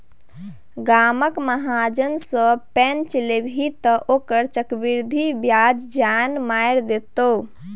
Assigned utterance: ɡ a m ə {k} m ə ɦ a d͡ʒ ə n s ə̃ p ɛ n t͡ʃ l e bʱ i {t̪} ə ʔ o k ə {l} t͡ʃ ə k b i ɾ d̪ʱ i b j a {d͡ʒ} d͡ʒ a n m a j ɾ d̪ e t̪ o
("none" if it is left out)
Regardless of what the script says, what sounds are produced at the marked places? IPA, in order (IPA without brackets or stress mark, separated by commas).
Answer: k, t̪, ɾ, d͡ʒ